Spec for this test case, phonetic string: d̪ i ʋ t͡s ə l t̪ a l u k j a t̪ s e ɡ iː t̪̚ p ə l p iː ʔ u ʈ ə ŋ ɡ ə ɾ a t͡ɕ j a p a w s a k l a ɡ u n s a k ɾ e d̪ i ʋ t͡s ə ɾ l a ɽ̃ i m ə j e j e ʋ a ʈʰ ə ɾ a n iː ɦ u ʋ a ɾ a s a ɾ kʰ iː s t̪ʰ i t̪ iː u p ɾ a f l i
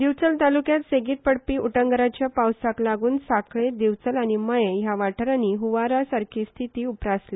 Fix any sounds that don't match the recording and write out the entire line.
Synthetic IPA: d̪ i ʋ t͡s ə l t̪ a l u k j a t̪ s e ɡ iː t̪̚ p ə ɽ p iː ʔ u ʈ ə ŋ ɡ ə ɾ a t͡ɕ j a p a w s a k l a ɡ uː n s a k ɭ e d̪ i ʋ t͡s ə l a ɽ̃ i m ə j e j a ʋ a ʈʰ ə ɾ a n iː ɦ u ʋ a ɾ a s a ɾ kʰ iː s t̪ʰ i t̪ iː u p ɾ a s l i

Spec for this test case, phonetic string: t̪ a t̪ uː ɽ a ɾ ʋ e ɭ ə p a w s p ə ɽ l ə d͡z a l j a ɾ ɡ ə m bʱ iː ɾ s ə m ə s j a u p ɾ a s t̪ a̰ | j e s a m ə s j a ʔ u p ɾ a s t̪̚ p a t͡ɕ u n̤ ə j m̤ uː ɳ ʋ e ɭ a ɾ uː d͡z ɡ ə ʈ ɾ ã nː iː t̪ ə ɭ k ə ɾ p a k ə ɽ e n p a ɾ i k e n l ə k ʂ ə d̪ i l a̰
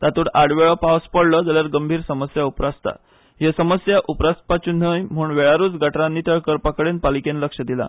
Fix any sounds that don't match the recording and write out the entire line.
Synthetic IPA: t̪ a t̪ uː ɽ a ɽ ʋ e ɭ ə p a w s p ə ɽ l ə d͡z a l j a ɾ ɡ ə m bʱ iː ɾ s ə m ə s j a u p ɾ a s t̪ a̰ | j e s ə m ə s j a ʔ u p ɾ a s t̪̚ p a t͡ɕ u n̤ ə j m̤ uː ɳ ʋ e ɭ a ɾ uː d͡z ɡ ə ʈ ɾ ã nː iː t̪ ə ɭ k ə ɾ p a k ə ɽ e n p a l i k e n l ə k ʂ ə d̪ i l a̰

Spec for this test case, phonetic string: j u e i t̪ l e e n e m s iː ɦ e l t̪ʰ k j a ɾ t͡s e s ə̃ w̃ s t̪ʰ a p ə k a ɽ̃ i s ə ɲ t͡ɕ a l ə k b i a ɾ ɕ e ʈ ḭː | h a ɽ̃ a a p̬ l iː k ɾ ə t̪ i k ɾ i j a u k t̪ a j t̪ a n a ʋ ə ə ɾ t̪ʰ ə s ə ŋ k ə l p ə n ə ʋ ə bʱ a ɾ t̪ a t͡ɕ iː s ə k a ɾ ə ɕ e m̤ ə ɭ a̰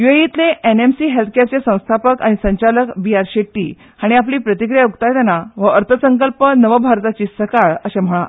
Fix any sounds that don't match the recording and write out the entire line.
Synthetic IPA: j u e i t̪ l e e n e m s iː ɦ e l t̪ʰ k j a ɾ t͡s e s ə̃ w̃ s t̪ʰ a p ə k a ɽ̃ i s ə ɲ t͡ɕ a l ə k b i a ɾ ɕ e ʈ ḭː | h a ɽ̃ i a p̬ l iː p ɾ ə t̪ i k ɾ i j a u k t̪ a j t̪ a n a ʋ ə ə ɾ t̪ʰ ə s ə ŋ k ə l p ə n ə ʋ ə bʱ a ɾ t̪ a t͡ɕ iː s ə k a ɭ ə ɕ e m̤ ə ɭ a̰

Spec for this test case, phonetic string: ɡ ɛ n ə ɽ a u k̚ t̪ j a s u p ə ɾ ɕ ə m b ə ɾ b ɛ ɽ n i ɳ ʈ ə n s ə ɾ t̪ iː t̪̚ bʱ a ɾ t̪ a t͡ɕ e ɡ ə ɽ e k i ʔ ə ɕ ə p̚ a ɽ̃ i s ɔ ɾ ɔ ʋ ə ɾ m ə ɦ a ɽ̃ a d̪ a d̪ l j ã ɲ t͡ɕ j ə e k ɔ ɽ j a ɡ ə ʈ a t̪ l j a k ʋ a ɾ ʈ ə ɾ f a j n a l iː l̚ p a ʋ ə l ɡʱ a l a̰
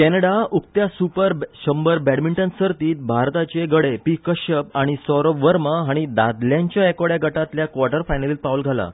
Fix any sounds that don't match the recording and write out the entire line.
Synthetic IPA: k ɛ n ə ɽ a u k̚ t̪ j a s u p ə ɾ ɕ ə m b ə ɾ b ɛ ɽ m i ɳ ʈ ə n s ə ɾ t̪ iː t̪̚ bʱ a ɾ t̪ a t͡ɕ e ɡ ə ɽ e p i k ə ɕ ə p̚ a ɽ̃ i s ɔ ɾ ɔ ʋ ə ɾ m ə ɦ a ɽ̃ i d̪ a d̪ l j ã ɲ t͡ɕ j a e k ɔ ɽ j a ɡ ə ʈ a t̪ l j a k ʋ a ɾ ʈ ə ɾ f a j n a l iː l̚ p a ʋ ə l ɡʱ a l a̰

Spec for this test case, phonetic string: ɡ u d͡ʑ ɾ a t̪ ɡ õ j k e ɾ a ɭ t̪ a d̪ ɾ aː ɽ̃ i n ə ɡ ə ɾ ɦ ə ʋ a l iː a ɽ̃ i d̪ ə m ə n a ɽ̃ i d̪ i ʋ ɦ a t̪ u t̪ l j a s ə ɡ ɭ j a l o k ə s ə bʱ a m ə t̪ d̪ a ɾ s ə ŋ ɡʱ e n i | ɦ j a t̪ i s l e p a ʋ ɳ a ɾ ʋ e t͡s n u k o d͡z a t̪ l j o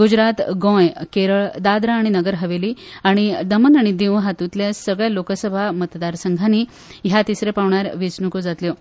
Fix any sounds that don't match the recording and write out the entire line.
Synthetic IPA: ɡ u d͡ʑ ɾ a t̪ ɡ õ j k e ɾ ə ɭ d̪ a d̪ ɾ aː ɽ̃ i n ə ɡ ə ɾ ɦ ə ʋ e l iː a ɽ̃ i d̪ ə m ə n a ɽ̃ i d̪ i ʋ ɦ a t̪ u t̪ l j a s ə ɡ ɭ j a l o k ə s ə bʱ a m ə t̪ d̪ a ɾ s ə ŋ ɡʱ a n i | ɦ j a t̪ i s ɾ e p a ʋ ɳ a ɾ ʋ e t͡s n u k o d͡z a t̪ l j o

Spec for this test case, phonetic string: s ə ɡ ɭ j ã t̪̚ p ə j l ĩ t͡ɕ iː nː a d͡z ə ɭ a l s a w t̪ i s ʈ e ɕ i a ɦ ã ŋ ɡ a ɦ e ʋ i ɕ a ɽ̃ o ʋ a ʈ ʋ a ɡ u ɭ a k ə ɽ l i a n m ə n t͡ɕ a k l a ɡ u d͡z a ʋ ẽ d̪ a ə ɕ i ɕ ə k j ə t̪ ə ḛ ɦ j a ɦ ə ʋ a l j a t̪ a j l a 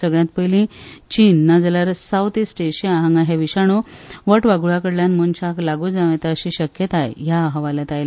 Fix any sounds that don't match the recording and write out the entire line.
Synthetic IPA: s ə ɡ ɭ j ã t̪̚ p ə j l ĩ t͡ɕ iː nː a d͡z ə l a ɾ s a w t̪ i s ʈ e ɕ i a ɦ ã ŋ ɡ a ɦ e ʋ i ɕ a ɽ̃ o ʋ ə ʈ ʋ a ɡ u ɭ a k ə ɽ l j a n m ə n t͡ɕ a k l a ɡ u d͡z a ʋ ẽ t̪ a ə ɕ i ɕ ə k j ə t̪ a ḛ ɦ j a ɦ ə ʋ a l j a t̪ a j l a

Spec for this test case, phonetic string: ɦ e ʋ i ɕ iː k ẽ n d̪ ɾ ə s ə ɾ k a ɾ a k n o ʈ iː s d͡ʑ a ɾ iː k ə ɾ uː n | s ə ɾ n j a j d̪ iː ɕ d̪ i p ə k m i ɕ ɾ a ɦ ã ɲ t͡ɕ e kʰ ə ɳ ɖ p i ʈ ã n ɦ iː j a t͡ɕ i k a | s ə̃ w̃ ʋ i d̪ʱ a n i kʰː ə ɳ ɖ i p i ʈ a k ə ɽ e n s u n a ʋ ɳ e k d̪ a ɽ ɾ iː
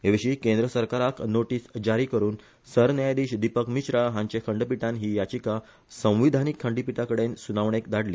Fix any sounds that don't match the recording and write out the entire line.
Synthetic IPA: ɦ e ʋ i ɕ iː k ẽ n d̪ ɾ ə s ə ɾ k a ɾ a k n o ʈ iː s d͡ʑ a ɾ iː k ə ɾ uː n | s ə ɾ n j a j d̪ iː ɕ d̪ i p ə k m i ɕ ɾ a ɦ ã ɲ t͡ɕ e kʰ ə ɳ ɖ p i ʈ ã n ɦ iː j a t͡ɕ i k a | s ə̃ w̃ ʋ i d̪ʱ a n i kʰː ə ɳ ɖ i p i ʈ a k ə ɽ e n s u n a ʋ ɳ e k d̪ a ɽ l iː

